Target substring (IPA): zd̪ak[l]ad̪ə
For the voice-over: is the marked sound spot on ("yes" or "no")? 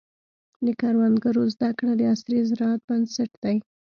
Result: no